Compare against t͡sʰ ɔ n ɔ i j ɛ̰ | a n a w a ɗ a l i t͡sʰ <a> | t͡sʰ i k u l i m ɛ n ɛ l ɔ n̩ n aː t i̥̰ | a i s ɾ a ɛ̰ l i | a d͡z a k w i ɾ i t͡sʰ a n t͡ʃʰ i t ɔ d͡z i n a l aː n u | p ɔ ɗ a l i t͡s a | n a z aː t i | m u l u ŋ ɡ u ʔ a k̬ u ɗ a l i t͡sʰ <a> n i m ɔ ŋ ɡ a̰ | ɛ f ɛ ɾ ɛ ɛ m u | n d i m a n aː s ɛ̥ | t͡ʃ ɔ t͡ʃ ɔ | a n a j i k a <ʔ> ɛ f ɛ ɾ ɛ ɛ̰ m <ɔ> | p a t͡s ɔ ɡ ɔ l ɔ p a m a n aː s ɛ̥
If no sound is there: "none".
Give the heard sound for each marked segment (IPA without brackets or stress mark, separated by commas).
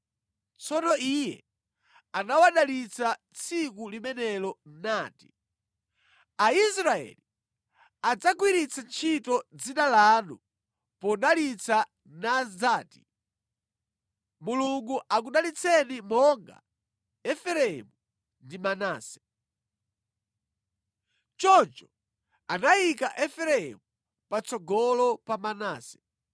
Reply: a, ɛ, ʔ, u